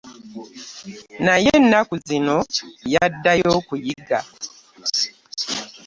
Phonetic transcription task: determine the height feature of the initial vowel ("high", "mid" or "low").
low